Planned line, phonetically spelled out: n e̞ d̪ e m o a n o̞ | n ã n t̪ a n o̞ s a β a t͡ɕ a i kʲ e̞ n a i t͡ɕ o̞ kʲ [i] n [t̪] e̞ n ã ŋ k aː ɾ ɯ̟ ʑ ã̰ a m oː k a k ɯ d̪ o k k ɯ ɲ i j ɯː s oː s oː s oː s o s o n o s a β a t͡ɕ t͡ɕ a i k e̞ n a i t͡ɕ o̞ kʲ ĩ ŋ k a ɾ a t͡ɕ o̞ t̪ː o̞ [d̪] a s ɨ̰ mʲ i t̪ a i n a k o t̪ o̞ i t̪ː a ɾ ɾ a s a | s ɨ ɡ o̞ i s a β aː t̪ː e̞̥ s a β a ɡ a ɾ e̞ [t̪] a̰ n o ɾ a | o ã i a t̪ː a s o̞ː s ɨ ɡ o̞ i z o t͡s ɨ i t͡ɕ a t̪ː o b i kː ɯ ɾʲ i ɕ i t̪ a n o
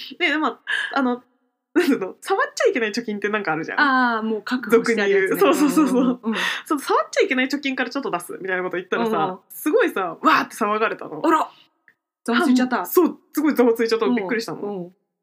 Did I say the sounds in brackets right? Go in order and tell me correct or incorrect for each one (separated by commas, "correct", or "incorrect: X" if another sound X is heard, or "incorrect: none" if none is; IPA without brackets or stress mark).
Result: incorrect: ĩ, correct, correct, correct